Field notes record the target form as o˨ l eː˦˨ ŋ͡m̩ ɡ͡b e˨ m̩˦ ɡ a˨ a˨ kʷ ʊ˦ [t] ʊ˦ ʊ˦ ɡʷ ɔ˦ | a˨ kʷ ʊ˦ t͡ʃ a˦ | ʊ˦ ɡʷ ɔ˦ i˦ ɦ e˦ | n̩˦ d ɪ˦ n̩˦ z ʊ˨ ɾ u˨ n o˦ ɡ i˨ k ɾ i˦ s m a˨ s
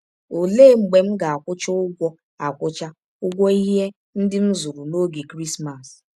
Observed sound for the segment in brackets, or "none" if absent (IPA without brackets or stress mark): t͡ʃ